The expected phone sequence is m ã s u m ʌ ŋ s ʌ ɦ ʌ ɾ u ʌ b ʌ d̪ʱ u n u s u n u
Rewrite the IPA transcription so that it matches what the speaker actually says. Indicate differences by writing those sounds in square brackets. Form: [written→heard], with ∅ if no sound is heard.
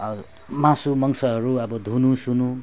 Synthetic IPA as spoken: m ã s u m ʌ ŋ s ʌ ɦ ʌ ɾ u ʌ b ʌ d̪ʱ u n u s u n u